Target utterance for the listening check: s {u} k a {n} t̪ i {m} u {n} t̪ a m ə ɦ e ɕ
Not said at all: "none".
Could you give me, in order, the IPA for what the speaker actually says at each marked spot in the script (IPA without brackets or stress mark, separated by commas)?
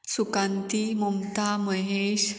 u, n, m, m